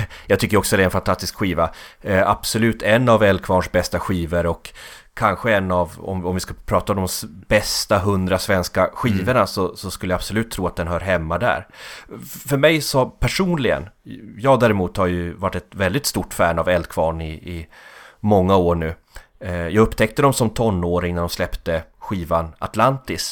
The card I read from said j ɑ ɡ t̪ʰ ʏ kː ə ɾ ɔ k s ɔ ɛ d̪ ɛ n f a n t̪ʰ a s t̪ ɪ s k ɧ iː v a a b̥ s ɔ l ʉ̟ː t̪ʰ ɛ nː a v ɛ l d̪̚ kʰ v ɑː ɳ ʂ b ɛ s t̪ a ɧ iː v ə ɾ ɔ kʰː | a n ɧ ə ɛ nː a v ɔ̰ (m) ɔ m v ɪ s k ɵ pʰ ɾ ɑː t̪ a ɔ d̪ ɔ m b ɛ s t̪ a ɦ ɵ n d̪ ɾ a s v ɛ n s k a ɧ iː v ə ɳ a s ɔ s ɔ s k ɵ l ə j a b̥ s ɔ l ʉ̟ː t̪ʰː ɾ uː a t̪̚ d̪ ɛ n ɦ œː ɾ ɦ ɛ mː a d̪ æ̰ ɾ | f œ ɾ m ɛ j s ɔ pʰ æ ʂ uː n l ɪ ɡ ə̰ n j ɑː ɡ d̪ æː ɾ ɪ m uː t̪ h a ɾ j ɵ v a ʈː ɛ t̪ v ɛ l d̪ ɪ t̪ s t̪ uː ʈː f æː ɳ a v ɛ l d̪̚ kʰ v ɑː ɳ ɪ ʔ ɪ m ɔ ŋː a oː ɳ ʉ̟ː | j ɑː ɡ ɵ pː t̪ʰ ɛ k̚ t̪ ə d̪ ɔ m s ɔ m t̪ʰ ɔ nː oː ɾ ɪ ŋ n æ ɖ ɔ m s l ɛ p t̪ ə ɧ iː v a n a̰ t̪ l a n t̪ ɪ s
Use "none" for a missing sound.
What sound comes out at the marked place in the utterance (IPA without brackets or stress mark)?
m